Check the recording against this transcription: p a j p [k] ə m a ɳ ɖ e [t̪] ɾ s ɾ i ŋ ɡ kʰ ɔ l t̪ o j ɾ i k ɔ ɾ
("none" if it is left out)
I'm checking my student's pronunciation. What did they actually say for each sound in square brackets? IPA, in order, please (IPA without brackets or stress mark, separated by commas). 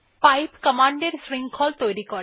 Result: k, none